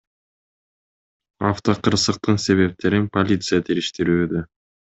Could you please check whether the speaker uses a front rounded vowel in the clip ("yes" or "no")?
yes